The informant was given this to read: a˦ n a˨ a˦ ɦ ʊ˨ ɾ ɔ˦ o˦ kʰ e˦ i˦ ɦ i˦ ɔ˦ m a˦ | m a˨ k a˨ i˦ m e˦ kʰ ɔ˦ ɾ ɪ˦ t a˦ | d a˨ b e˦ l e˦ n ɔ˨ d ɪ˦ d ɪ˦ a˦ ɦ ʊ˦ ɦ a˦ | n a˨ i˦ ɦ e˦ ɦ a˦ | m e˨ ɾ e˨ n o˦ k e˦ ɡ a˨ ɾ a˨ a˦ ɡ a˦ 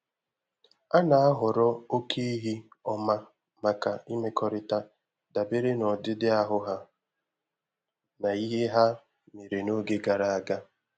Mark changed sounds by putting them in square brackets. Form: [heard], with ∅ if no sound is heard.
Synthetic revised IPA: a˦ n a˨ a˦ ɦ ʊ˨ ɾ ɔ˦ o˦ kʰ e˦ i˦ ɦ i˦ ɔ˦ m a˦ | m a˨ k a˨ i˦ m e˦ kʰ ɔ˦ ɾ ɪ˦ t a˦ | d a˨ b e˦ [ɾ] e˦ n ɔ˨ d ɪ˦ d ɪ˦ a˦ ɦ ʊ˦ ɦ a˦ | n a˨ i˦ ɦ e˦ ɦ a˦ | m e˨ ɾ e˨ n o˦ [ɡ] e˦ ɡ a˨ ɾ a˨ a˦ ɡ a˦